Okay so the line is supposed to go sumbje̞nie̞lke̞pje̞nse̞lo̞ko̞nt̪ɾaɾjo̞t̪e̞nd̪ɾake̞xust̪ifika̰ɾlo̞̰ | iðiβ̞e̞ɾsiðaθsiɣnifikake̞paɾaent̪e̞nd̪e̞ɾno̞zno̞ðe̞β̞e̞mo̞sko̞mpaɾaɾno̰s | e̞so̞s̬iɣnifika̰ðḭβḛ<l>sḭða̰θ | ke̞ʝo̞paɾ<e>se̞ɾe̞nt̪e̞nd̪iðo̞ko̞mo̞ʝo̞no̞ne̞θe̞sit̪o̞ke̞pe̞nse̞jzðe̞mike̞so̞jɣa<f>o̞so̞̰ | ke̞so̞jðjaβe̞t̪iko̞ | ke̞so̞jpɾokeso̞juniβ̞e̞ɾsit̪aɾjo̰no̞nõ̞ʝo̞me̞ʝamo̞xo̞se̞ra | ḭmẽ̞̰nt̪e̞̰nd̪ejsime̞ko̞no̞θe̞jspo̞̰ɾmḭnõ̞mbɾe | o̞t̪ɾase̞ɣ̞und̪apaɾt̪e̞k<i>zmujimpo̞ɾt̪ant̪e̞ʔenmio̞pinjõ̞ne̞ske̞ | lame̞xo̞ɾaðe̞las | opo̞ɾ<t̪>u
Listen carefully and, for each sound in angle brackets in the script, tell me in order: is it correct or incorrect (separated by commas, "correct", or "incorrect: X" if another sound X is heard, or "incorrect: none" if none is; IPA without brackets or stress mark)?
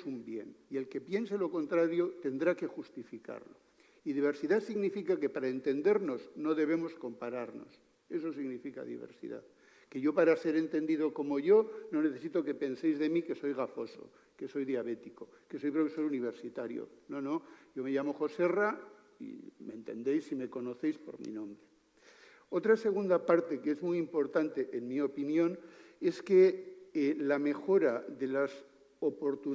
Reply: incorrect: ɾ, incorrect: a, correct, incorrect: e, correct